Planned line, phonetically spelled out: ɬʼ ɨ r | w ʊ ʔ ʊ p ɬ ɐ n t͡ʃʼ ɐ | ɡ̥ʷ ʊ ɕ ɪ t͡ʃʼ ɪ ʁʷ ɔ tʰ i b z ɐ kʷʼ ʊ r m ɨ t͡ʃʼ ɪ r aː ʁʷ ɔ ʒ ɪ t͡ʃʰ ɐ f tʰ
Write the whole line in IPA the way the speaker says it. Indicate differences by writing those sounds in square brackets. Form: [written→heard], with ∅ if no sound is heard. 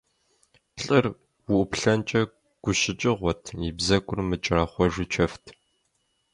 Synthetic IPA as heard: ɬʼ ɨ r | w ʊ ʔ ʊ p ɬ ɐ n t͡ʃʼ ɐ | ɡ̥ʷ ʊ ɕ ɪ t͡ʃʼ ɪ ʁʷ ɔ tʰ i b z ɐ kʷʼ ʊ r m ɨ t͡ʃʼ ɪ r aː [ʁʷ→χʷ] ɔ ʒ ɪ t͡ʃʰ ɐ f tʰ